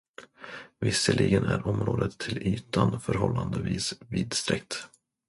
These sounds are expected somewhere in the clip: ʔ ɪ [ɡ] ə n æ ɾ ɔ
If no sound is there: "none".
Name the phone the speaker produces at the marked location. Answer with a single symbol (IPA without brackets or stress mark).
ɡ